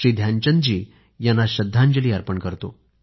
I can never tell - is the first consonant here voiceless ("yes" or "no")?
no